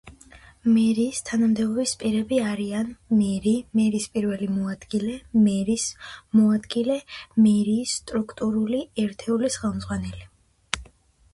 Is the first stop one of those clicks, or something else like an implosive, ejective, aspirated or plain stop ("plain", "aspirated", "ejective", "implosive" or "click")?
aspirated